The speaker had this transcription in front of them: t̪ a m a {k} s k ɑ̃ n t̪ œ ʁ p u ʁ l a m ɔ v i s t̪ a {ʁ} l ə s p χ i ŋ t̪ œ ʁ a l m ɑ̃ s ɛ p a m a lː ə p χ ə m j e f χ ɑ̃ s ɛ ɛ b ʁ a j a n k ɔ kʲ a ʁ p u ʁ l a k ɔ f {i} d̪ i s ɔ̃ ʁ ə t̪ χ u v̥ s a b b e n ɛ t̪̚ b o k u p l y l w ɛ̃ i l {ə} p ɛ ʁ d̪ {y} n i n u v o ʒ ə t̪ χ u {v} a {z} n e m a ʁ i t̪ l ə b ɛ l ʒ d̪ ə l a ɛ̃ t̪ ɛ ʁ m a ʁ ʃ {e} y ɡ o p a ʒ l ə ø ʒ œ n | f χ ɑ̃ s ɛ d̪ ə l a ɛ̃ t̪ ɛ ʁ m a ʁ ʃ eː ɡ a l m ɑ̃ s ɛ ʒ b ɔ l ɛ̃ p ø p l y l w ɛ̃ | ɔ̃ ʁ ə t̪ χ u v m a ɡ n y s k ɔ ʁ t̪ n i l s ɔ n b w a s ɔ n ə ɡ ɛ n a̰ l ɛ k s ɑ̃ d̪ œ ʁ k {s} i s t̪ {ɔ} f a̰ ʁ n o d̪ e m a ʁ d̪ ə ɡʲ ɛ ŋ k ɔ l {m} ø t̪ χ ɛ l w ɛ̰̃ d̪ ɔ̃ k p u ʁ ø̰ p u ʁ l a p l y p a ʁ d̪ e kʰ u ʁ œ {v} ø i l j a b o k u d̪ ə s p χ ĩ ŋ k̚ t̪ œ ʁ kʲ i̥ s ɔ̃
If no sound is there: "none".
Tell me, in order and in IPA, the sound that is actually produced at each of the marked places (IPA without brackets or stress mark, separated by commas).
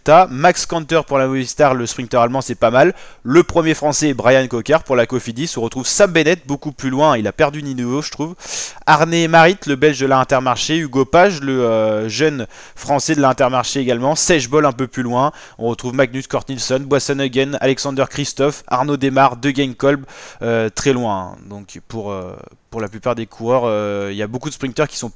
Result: k, ʁ, i, a, y, v, ʁ, e, χ, ɔ, b, ʁ